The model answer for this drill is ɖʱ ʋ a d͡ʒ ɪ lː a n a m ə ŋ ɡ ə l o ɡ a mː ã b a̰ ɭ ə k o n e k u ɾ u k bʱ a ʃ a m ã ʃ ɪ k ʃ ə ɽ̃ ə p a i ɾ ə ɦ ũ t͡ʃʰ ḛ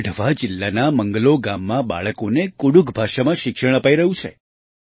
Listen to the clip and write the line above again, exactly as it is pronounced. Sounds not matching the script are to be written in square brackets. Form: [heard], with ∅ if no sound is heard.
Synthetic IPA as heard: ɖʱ ʋ a d͡ʒ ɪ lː a n a m ə ŋ ɡ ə l o ɡ a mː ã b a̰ ɭ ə k o n e k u [ɽ] u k bʱ a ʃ a m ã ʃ ɪ k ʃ ə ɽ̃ ə p a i ɾ ə ɦ ũ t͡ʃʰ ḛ